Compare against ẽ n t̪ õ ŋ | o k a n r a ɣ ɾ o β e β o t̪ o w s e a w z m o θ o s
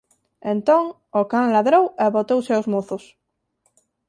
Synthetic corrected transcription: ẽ n t̪ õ ŋ | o k a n l a ð ɾ o w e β o t̪ o w s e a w z m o θ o s